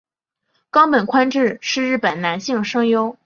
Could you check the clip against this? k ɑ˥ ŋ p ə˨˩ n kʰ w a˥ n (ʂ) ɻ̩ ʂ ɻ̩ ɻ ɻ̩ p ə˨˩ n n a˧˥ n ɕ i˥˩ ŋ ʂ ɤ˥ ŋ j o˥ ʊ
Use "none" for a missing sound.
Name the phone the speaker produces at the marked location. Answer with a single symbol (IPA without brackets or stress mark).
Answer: ʈ͡ʂ